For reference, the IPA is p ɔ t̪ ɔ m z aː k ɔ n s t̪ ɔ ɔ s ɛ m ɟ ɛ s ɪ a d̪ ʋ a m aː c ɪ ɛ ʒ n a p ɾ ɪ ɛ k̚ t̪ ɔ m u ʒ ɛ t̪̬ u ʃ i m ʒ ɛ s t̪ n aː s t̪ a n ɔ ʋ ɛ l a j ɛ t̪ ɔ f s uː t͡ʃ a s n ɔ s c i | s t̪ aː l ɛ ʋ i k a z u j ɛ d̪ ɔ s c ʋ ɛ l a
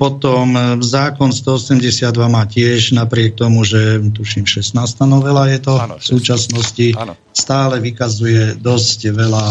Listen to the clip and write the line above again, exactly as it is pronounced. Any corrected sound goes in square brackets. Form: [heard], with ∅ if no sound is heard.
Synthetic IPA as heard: p ɔ t̪ ɔ m z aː k ɔ n s t̪ ɔ ɔ s ɛ m ɟ ɛ s ɪ a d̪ ʋ a m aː c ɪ ɛ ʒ n a p ɾ ɪ ɛ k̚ t̪ ɔ m u ʒ ɛ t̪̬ u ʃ i m [ʃ] ɛ s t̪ n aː s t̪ a n ɔ ʋ ɛ l a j ɛ t̪ ɔ f s uː t͡ʃ a s n ɔ s c i | s t̪ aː l ɛ ʋ i k a z u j ɛ d̪ ɔ s c ʋ ɛ l a